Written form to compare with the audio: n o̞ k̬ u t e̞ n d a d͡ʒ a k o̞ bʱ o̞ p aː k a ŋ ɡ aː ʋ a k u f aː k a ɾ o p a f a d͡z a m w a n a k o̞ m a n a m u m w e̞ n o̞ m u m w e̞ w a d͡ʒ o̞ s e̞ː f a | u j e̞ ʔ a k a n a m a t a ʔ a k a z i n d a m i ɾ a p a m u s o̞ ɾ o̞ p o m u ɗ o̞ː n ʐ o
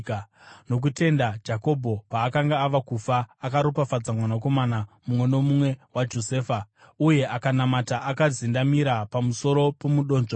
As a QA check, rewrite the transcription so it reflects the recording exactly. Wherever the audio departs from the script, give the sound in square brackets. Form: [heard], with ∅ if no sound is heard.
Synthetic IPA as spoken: n o̞ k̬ u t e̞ n d a d͡ʒ a k o̞ bʱ o̞ p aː k a ŋ ɡ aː ʋ a k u f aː k a ɾ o p a f a d͡z a m w a n a k o̞ m a n a m u m w e̞ n o̞ m u m w e̞ w a d͡ʒ o̞ s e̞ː f a | u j e̞ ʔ a k a n a m a t a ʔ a k a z i n d a m i ɾ a p a m u s o̞ ɾ o̞ p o m u ɗ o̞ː n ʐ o